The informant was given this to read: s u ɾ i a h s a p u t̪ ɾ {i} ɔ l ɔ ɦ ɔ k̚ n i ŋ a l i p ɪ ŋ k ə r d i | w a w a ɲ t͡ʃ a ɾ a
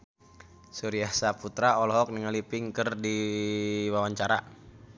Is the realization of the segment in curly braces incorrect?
yes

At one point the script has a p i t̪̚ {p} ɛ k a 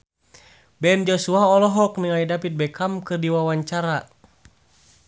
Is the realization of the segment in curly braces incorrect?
yes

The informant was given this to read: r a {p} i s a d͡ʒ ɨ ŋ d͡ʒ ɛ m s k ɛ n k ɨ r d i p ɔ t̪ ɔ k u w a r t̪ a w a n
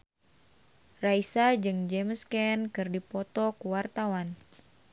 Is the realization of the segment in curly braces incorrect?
yes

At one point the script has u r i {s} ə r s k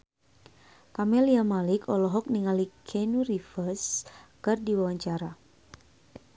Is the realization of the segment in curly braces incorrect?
yes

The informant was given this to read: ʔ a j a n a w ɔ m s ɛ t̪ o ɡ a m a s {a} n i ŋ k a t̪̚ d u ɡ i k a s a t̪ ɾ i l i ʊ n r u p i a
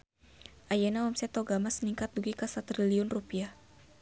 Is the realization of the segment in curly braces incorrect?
yes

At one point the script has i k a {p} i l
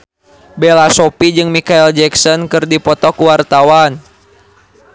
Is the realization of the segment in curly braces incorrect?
yes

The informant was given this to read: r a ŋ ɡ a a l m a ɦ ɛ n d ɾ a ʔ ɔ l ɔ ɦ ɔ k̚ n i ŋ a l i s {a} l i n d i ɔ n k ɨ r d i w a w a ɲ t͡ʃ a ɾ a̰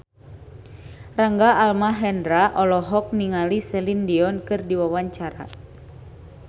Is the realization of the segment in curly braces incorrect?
yes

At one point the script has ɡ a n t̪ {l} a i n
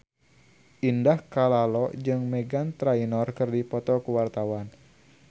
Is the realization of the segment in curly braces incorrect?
yes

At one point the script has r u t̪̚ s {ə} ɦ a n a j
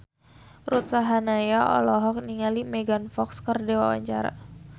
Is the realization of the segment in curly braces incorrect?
yes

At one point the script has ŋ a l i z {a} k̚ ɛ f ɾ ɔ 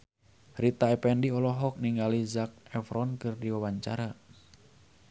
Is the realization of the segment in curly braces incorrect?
no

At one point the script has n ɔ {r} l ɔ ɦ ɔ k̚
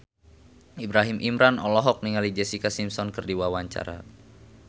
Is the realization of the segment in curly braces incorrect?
yes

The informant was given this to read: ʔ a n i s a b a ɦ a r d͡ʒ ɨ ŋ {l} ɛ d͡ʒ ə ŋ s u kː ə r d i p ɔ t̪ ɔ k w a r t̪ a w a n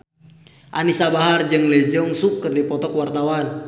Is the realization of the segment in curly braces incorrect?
no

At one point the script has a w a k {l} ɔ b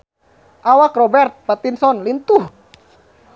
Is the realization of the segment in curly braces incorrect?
yes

